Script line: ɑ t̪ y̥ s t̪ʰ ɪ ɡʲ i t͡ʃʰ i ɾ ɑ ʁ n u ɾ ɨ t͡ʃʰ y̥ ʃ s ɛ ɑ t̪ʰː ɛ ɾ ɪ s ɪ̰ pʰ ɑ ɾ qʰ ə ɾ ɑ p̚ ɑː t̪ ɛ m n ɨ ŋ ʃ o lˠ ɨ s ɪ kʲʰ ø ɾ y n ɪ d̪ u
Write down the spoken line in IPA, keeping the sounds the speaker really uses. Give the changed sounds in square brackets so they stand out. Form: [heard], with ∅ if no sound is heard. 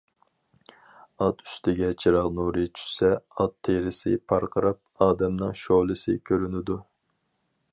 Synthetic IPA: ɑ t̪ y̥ s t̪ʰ ɪ ɡʲ [ɛ] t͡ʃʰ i ɾ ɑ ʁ n u ɾ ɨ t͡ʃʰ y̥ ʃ s ɛ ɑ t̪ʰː [e] ɾ ɪ s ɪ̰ pʰ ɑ ɾ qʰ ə ɾ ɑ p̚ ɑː [d̪] ɛ m n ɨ ŋ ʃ o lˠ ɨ s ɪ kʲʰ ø ɾ y n ɪ d̪ u